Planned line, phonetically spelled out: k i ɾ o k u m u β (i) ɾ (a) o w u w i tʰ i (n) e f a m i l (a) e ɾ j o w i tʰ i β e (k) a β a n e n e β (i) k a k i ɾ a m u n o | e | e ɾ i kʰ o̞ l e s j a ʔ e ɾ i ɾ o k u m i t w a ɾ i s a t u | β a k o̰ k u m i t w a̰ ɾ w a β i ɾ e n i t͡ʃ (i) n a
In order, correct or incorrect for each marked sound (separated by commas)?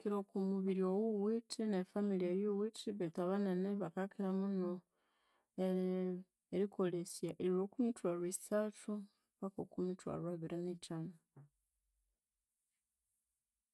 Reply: correct, incorrect, correct, incorrect, incorrect, incorrect, incorrect